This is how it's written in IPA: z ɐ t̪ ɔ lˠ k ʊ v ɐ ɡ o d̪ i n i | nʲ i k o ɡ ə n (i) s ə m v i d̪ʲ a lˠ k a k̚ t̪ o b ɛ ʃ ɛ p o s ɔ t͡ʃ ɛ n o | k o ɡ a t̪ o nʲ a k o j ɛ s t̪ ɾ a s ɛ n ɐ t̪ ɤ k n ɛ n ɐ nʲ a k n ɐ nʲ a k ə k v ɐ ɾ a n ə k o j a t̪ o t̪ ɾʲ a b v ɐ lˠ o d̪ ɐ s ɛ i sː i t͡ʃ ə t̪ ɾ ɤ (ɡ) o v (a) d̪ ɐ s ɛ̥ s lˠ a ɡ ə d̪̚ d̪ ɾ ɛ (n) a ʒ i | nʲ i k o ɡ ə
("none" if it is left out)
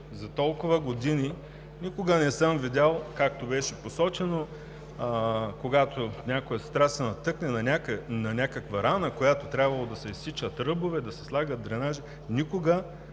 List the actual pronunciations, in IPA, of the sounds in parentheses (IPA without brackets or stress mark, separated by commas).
ɛ, b, ɛ, n